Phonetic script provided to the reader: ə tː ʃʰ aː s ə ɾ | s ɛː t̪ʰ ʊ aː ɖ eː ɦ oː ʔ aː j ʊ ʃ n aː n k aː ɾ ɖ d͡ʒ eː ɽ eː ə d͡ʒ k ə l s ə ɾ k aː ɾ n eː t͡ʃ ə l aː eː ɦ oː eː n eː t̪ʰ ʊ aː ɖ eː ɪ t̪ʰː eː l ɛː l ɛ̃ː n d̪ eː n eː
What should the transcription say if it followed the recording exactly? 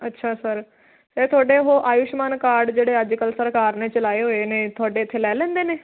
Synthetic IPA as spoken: ə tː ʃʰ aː s ə ɾ | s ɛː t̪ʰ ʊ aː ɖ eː ɦ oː ʔ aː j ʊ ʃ m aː n k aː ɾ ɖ d͡ʒ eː ɽ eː ə d͡ʒ k ə l s ə ɾ k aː ɾ n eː t͡ʃ ə l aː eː ɦ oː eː n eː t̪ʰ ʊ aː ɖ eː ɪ t̪ʰː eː l ɛː l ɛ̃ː n d̪ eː n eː